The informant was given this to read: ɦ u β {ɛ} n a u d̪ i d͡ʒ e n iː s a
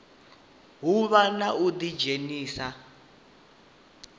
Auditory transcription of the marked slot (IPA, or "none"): a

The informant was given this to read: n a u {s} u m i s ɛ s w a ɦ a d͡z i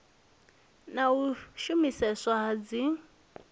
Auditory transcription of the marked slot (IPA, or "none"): ʃ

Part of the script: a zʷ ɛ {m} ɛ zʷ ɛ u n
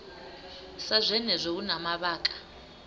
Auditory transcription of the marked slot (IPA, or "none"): n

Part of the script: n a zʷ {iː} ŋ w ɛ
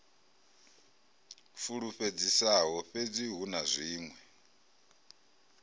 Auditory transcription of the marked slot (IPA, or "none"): iː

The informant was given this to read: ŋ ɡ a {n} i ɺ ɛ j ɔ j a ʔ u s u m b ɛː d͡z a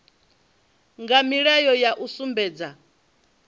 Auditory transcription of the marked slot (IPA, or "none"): m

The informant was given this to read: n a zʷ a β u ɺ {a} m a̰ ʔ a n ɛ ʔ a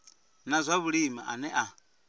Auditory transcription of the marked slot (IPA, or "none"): i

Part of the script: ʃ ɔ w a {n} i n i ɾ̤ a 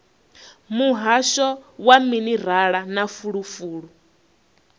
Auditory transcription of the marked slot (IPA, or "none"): m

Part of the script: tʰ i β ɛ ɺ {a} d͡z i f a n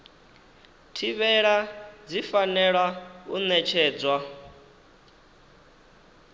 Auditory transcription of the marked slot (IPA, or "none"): a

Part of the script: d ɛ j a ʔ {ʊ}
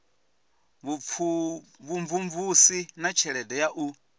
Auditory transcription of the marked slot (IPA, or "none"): u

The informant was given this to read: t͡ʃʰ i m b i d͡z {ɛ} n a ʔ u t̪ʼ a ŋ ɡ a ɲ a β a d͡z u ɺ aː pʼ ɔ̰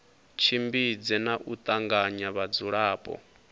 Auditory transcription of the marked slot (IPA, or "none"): ɛ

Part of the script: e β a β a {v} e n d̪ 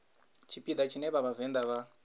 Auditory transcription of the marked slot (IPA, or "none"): v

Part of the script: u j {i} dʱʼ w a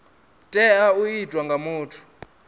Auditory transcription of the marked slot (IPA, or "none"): i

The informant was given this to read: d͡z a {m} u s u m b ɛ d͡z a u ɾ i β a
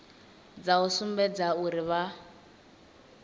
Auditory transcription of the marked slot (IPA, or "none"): none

